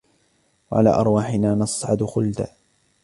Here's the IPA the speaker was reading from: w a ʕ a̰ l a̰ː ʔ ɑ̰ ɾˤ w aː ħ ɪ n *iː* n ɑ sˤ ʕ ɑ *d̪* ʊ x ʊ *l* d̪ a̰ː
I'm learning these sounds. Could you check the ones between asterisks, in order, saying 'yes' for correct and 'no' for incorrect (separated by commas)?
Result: no, yes, yes